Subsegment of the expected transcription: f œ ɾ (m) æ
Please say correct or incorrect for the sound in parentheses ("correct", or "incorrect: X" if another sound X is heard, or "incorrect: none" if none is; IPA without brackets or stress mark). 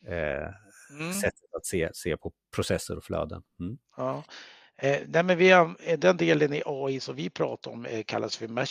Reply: correct